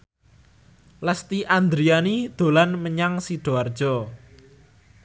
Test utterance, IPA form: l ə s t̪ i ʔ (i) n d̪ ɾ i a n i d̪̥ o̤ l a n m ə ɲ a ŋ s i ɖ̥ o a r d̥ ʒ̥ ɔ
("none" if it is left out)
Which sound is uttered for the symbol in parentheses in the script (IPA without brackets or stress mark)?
a